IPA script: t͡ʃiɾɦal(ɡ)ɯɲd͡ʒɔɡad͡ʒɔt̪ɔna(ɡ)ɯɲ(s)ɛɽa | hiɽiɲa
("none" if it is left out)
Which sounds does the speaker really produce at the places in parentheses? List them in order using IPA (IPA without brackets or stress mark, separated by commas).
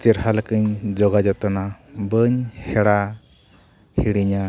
k, b, h